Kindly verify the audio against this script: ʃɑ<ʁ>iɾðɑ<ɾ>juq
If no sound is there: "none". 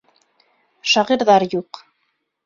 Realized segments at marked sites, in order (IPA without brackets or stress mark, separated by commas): ʁ, ɾ